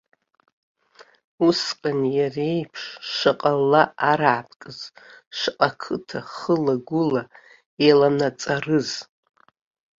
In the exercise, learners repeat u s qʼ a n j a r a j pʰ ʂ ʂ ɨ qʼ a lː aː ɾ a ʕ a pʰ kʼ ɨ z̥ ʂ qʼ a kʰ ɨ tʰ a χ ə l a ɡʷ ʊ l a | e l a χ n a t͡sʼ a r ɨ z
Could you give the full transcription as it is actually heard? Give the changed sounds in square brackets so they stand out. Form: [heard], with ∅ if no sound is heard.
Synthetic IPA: u s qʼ a n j a r [e] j pʰ ʂ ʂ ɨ qʼ a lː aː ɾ a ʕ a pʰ kʼ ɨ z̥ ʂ qʼ a kʰ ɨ tʰ a χ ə l a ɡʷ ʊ l a | e l a [∅] n a t͡sʼ a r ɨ z